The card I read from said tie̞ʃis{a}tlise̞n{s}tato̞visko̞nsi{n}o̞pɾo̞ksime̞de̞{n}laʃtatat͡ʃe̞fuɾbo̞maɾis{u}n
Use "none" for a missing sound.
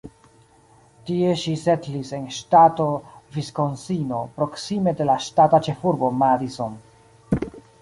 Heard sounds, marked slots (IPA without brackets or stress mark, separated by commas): e, ʃ, n, none, o